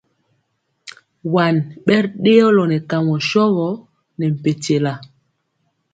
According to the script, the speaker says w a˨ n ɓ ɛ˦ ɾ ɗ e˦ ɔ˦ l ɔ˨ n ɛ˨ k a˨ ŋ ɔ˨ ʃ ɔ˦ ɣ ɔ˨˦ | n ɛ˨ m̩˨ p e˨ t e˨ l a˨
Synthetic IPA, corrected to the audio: w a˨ n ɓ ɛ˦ ɾ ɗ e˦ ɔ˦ l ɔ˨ n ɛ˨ k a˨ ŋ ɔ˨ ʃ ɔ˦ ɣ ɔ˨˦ | n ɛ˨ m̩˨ p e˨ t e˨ l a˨